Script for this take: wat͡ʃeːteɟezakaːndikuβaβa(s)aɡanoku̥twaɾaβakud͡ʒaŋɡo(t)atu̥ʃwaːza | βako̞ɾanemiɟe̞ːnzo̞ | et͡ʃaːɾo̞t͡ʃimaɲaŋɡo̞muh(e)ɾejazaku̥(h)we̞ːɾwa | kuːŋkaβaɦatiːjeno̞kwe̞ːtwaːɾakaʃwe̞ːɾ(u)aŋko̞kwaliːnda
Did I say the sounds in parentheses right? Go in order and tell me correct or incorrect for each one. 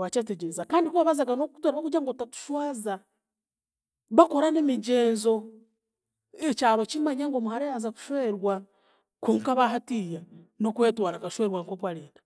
incorrect: z, correct, incorrect: a, incorrect: ʃ, incorrect: w

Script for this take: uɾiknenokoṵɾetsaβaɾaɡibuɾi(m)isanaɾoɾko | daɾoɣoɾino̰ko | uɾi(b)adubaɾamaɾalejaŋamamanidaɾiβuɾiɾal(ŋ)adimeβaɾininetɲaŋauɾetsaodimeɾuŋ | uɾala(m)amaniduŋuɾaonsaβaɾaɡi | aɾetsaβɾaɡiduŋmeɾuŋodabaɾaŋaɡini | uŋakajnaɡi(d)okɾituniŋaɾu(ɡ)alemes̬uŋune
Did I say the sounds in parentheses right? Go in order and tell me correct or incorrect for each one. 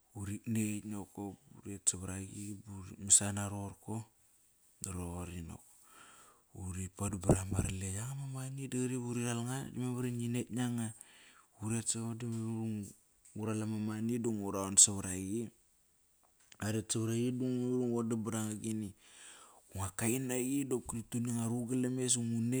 correct, incorrect: p, correct, correct, correct, correct

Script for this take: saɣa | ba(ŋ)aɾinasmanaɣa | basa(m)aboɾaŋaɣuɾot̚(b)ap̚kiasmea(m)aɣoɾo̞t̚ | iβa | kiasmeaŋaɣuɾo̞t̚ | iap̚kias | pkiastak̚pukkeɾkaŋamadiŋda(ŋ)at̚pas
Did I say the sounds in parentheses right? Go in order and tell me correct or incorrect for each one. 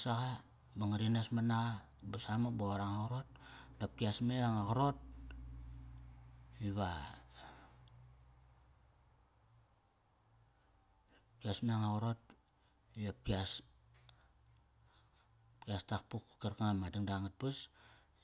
correct, correct, incorrect: d, incorrect: ŋ, correct

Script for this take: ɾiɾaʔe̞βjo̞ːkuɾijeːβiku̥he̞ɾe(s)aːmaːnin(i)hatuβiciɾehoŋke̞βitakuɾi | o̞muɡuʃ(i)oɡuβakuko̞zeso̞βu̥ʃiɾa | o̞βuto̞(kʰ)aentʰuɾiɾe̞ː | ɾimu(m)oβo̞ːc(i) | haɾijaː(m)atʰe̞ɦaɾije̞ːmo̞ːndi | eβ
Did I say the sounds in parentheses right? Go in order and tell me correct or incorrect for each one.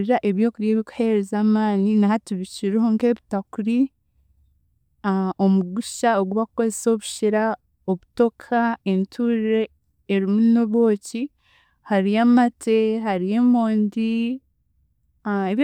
incorrect: z, incorrect: a, incorrect: a, correct, incorrect: n, correct, correct

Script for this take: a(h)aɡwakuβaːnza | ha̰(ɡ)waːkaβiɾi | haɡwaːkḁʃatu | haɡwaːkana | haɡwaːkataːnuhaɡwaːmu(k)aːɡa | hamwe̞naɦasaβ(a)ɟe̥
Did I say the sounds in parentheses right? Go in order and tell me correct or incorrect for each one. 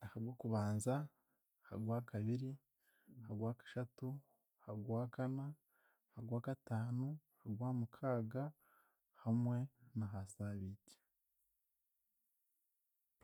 correct, correct, incorrect: kʰ, incorrect: i

